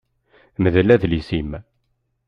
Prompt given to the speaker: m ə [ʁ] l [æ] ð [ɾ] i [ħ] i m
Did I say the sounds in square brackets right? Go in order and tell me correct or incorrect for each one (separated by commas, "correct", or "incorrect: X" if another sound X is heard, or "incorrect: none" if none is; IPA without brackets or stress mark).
incorrect: ð, correct, incorrect: l, incorrect: s